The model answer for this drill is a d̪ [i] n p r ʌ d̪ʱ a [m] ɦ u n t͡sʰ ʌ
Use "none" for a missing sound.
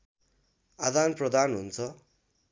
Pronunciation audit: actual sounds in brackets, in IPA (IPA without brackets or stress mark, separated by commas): a, n